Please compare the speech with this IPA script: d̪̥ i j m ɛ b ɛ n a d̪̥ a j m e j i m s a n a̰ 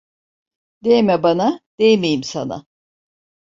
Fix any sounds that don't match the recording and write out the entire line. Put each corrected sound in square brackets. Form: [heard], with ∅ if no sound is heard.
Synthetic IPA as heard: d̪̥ [e] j m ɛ b [a] n a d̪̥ [e] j m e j i m s a n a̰